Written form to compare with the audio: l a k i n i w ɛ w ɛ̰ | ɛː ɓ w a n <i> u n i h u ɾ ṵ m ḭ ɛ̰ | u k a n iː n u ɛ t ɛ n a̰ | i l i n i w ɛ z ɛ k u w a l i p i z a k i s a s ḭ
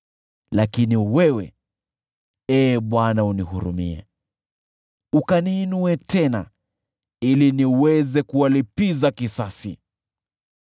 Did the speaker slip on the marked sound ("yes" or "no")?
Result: yes